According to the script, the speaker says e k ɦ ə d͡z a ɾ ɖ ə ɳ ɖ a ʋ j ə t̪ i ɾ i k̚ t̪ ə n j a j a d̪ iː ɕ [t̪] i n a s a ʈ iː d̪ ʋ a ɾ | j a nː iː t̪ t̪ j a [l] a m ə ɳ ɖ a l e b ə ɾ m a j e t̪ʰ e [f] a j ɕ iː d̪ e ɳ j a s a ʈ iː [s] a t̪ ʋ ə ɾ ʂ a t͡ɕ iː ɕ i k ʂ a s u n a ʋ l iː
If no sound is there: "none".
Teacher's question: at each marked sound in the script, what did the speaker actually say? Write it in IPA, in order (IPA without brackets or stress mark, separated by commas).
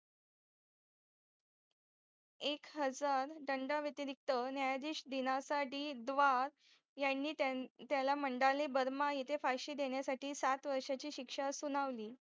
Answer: d̪, l, f, s